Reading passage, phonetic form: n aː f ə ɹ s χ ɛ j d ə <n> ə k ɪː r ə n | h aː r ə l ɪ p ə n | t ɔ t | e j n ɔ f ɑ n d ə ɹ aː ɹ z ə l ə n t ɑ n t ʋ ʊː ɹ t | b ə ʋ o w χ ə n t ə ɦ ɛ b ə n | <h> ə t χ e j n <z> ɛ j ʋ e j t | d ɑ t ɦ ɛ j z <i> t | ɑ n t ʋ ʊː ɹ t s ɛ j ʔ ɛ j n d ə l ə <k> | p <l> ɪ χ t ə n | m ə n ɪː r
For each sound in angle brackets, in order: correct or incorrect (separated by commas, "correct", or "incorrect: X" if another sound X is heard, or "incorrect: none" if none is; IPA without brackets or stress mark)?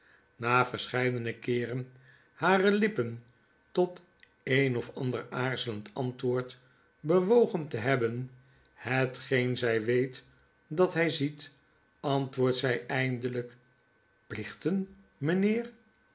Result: correct, correct, correct, correct, correct, correct